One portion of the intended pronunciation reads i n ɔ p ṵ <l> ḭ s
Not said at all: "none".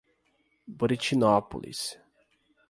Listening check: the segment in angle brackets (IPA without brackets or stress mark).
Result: l